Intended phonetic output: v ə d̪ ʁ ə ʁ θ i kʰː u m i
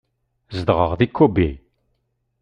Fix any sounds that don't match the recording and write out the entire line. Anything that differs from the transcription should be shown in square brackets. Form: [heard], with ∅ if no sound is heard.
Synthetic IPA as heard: [z] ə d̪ ʁ ə ʁ [ð] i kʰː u [b] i